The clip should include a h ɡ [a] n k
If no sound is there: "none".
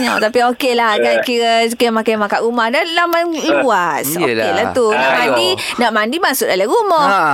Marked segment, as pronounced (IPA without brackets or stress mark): a